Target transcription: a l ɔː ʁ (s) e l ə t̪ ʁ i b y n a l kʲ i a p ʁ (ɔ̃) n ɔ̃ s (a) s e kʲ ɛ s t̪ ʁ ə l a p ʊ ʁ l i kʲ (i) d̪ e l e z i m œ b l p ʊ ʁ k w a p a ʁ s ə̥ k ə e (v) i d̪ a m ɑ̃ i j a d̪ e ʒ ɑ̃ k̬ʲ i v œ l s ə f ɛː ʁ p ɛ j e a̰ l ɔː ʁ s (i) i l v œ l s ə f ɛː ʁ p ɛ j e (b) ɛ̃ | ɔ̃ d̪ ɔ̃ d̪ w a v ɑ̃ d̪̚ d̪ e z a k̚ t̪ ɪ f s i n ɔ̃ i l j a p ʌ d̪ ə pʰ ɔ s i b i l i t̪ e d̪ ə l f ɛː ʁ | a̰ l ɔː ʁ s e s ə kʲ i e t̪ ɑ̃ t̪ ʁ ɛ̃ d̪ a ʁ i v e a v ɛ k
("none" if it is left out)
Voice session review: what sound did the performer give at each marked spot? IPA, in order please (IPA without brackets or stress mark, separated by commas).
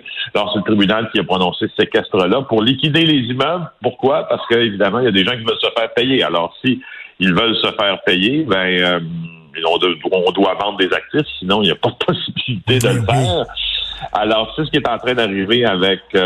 s, ɔ, e, i, v, i, b